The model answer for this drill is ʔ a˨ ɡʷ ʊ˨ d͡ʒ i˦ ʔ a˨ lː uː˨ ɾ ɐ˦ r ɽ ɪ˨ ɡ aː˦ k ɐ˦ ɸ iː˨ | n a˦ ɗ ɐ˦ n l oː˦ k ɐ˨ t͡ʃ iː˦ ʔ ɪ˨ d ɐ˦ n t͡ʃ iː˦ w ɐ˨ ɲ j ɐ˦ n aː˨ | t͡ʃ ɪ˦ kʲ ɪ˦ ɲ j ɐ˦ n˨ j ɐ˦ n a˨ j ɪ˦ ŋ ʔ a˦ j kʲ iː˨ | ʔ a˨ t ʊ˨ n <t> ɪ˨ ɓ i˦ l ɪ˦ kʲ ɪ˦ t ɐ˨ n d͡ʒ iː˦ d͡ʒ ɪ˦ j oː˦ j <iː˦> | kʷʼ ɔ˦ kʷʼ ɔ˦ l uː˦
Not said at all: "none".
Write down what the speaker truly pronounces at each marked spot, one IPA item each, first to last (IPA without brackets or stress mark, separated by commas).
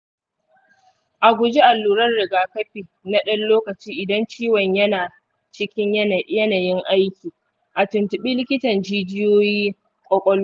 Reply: t, iː˦